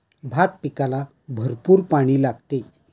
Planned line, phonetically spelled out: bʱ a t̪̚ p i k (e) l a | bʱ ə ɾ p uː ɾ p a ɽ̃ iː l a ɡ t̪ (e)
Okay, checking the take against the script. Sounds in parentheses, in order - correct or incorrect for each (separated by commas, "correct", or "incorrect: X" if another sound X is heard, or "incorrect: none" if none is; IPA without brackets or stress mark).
incorrect: a, correct